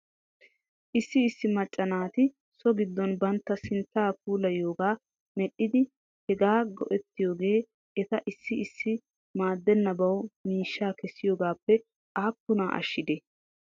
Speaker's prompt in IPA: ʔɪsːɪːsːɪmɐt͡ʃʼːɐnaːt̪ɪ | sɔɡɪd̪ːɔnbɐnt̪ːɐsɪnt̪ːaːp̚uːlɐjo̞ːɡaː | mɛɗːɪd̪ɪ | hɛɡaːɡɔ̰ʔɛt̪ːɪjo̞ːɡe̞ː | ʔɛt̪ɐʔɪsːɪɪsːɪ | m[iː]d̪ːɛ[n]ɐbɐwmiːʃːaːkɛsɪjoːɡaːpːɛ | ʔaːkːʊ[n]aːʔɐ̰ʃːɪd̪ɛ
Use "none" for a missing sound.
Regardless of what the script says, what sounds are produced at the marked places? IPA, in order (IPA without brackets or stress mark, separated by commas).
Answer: aː, nː, n